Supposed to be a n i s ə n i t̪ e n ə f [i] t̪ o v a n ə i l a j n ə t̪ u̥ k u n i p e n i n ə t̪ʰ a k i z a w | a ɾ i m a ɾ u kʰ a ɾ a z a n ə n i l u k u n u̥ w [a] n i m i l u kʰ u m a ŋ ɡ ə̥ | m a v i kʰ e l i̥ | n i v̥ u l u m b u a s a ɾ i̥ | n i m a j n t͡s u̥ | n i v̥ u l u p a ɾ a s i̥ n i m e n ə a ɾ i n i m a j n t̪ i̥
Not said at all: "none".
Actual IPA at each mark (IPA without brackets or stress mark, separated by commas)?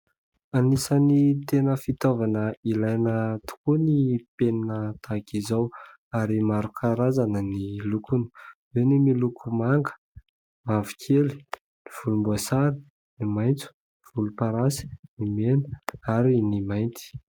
i, e